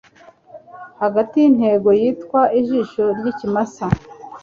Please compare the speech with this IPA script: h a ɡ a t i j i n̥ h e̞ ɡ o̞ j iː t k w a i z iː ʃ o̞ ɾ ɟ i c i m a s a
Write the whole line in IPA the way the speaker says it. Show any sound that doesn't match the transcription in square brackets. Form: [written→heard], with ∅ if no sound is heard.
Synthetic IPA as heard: h a ɡ a t i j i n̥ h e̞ ɡ o̞ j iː t k w a i [z→ʒ] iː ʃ o̞ ɾ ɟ i c i m a s a